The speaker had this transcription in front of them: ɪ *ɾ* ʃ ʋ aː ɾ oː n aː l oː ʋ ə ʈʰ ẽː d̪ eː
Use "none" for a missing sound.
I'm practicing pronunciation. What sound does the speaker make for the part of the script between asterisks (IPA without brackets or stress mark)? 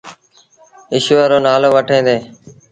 none